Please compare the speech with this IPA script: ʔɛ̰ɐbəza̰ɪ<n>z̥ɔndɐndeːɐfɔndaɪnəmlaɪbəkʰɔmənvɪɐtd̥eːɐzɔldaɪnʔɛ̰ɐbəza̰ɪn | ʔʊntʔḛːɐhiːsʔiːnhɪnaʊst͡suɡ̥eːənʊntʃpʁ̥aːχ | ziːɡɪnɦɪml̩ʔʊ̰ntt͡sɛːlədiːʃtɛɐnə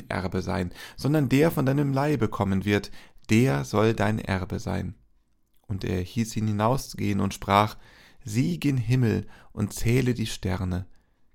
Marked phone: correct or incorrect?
correct